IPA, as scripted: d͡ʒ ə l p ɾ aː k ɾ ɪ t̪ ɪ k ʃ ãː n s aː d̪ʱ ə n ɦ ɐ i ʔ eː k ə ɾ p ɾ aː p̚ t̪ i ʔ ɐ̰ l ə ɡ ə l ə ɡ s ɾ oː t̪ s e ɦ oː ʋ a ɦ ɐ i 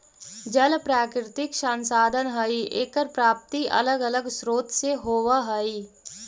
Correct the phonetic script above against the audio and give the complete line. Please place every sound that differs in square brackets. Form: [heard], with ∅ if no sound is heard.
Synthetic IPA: d͡ʒ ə l p ɾ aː k ɾ ɪ t̪ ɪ k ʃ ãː n s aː d̪ʱ ə n ɦ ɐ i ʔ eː k ə ɾ p ɾ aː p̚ t̪ i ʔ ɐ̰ l ə ɡ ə l ə ɡ s ɾ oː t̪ s e ɦ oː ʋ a ɦ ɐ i